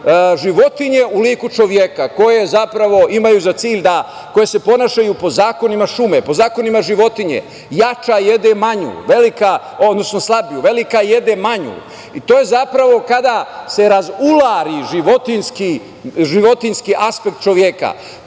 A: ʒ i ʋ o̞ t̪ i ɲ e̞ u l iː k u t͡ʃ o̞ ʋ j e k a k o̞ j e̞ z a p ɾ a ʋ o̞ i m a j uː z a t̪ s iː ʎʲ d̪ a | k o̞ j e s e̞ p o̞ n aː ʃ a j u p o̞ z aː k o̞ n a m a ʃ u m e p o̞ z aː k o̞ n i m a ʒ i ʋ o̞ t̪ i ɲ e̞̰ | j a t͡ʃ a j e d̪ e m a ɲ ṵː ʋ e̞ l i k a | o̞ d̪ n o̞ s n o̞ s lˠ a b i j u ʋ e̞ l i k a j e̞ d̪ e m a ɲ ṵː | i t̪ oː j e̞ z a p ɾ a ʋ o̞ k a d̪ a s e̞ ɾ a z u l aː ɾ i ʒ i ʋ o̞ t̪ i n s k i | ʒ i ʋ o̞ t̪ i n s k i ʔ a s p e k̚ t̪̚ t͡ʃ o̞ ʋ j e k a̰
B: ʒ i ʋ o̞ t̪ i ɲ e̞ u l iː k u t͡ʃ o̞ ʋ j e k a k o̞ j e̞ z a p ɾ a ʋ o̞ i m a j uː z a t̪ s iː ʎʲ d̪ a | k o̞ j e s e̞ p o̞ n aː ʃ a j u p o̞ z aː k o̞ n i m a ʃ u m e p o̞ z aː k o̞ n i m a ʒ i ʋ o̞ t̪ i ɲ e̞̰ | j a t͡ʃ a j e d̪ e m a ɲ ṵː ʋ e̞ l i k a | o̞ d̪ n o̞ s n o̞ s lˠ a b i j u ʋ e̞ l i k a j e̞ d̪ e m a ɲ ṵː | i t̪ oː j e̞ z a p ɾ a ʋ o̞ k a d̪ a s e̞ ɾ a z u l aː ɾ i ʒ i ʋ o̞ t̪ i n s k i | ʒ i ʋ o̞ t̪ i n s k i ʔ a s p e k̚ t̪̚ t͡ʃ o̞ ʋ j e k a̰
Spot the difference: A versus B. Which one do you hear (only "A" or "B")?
B